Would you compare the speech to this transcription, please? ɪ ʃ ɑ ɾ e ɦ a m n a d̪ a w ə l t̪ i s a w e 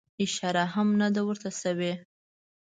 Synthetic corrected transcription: ɪ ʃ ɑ ɾ a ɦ a m n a d̪ a w ə ɾ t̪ a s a w e